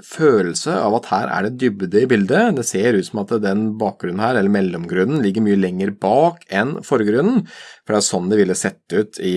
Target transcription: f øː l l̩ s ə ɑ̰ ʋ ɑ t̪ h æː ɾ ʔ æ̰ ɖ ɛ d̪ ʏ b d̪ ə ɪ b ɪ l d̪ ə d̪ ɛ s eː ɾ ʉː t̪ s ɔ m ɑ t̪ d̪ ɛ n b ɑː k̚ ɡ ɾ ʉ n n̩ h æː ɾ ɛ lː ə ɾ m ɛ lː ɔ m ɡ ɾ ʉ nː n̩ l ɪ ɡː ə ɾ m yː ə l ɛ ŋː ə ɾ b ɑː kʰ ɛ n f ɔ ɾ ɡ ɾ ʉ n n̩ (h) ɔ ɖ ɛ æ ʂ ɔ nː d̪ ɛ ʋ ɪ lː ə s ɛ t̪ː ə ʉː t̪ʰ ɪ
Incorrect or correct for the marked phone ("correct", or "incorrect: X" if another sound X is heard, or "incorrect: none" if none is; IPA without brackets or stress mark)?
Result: incorrect: f